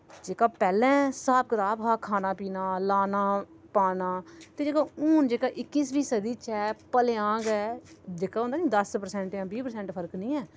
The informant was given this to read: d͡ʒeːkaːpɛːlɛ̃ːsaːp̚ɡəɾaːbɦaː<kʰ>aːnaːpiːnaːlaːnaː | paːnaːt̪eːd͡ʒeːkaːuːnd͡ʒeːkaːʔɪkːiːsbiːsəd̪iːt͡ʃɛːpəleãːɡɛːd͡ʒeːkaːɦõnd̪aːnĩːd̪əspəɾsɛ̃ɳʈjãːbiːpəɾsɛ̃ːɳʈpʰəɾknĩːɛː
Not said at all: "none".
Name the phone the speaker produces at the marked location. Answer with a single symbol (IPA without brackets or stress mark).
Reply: kʰ